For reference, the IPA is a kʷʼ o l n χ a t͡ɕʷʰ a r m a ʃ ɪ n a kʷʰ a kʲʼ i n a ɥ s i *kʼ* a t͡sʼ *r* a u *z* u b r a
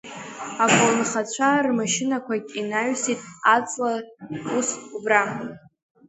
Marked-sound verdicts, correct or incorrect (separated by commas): incorrect, incorrect, incorrect